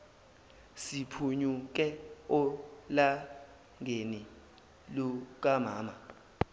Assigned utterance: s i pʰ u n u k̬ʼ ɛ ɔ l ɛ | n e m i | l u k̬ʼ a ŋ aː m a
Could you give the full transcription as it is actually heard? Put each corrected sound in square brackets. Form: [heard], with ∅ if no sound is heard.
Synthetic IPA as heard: s i pʰ u [ɲ] u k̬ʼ ɛ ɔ l [a] | [ŋ] e [n] i | l u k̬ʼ a [m] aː m a